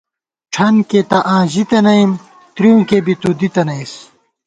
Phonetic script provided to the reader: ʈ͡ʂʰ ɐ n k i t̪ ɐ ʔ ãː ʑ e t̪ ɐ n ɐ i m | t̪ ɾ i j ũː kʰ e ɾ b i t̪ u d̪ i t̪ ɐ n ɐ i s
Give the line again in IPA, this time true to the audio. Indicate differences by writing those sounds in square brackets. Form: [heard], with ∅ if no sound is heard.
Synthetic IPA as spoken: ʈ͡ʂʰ ɐ n k [e] t̪ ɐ ʔ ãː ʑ [i] t̪ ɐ n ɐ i m | t̪ ɾ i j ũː [k] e [∅] b i t̪ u d̪ i t̪ ɐ n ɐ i s